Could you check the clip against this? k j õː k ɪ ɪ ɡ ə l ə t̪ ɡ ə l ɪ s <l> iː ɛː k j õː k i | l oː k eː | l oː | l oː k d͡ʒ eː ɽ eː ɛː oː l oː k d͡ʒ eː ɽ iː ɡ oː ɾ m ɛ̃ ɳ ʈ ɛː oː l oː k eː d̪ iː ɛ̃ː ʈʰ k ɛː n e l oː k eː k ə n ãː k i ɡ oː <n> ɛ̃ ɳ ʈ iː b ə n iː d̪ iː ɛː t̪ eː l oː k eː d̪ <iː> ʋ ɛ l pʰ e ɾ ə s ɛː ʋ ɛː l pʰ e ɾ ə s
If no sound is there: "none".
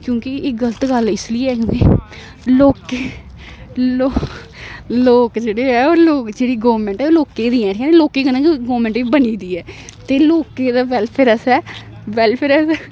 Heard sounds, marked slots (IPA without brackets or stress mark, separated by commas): l, m, aː